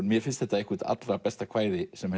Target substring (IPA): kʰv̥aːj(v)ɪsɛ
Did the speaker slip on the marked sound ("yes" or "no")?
yes